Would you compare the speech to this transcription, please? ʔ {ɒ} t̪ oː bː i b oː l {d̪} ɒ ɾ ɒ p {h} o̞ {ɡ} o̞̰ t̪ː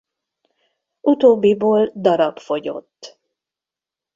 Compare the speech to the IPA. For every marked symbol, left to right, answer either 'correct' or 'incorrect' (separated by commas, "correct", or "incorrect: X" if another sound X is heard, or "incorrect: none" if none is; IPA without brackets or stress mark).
incorrect: u, correct, incorrect: f, incorrect: ɟ